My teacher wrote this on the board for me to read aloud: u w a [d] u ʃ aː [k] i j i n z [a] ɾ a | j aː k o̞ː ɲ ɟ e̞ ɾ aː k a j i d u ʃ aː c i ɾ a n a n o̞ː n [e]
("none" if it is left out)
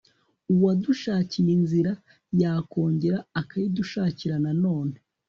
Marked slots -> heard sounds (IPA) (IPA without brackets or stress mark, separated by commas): d, c, i, e